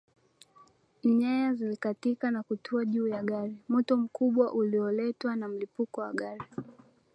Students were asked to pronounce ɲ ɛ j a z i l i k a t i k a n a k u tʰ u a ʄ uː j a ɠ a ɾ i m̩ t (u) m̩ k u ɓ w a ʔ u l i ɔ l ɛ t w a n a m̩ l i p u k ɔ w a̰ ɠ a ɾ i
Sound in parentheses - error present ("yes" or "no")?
yes